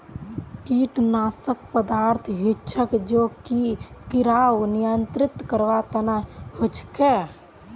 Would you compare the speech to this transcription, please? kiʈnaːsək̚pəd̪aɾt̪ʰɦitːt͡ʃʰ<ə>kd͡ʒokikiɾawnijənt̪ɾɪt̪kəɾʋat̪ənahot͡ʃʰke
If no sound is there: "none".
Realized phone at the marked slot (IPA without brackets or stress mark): ə